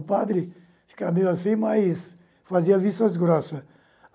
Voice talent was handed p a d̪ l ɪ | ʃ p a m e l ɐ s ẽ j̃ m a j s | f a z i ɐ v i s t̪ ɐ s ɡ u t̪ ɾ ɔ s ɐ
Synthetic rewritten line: p a d̪ ɾ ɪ | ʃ k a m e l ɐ s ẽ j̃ m a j s | f a z i ɐ v i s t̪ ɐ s ɡ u ɾ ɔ s ɐ